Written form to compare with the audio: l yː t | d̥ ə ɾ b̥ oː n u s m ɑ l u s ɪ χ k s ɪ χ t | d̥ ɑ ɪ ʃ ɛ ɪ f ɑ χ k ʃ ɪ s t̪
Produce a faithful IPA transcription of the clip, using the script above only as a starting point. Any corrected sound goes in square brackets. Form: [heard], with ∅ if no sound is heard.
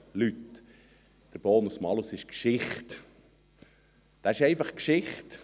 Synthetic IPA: l [y] t | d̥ ə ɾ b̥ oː n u s m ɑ l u s ɪ [ʃ] k [ʃ] ɪ χ t | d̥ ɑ ɪ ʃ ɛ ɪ f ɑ χ k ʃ ɪ [χ] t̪